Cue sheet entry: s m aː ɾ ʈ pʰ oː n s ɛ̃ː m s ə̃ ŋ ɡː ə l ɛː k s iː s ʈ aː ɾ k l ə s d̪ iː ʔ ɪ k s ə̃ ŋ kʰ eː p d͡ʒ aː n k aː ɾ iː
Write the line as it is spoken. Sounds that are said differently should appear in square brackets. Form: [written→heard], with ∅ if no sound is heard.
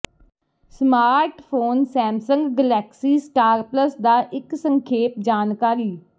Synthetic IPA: s m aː ɾ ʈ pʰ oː n s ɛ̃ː m s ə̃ ŋ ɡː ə l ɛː k s iː s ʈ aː ɾ [k→p] l ə s d̪ [iː→aː] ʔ ɪ k s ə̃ ŋ kʰ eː p d͡ʒ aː n k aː ɾ iː